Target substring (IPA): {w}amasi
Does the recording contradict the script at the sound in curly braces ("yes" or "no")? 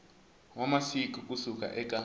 no